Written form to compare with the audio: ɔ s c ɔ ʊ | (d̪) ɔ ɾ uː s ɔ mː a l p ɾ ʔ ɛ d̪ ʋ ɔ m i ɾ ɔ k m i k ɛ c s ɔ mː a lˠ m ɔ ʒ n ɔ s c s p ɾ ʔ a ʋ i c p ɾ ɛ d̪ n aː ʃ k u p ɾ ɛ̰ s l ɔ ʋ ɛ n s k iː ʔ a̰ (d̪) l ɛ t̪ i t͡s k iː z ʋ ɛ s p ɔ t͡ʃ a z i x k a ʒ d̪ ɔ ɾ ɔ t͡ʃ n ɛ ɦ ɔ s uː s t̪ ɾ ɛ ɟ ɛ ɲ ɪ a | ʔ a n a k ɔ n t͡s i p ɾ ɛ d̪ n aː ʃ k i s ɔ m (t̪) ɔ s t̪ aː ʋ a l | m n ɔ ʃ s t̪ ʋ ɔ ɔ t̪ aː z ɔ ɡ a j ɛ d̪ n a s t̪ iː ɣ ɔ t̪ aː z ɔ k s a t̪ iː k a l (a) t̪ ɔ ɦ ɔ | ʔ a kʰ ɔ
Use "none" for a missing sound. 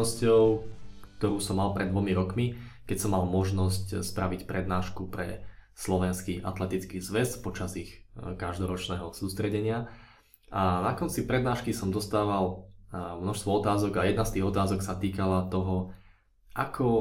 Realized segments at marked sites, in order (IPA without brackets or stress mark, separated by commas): t̪, t̪, d̪, a